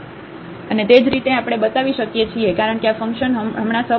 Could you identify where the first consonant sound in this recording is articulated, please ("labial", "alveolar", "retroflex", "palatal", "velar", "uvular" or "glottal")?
alveolar